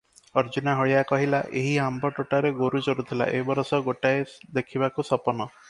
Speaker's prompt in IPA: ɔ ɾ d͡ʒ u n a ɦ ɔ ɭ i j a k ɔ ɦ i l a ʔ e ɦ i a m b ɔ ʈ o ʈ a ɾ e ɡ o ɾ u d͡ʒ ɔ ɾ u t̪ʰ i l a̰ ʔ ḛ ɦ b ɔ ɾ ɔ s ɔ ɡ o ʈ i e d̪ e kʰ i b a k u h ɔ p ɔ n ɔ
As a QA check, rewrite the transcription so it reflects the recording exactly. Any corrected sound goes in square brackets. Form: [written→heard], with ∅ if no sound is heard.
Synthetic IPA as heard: ɔ ɾ d͡ʒ u n a ɦ ɔ ɭ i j a k ɔ ɦ i l a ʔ e ɦ i a m b ɔ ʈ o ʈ a ɾ e ɡ o ɾ u d͡ʒ ɔ ɾ u t̪ʰ i l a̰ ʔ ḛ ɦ b ɔ ɾ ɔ s ɔ ɡ o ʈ [i→a] e d̪ e kʰ i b a k u [h→s] ɔ p ɔ n ɔ